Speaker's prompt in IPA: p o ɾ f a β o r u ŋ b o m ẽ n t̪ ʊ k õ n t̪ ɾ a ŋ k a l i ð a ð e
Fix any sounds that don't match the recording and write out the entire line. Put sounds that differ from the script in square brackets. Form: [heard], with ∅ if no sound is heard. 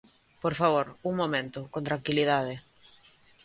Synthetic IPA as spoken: p o ɾ f a β o [ɾ] u ŋ [m] o m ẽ n t̪ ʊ k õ n t̪ ɾ a ŋ k [i] l i ð a ð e